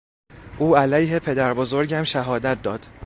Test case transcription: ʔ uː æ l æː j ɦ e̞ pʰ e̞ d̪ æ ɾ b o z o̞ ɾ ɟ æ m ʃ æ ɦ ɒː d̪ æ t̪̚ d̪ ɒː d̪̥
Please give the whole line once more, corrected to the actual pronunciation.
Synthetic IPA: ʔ uː æ l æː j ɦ e̞ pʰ e̞ d̪ æ ɾ b o z o̞ ɾ ɟ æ m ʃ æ ɦ ɒː d̪ æ t̪̚ d̪ ɒː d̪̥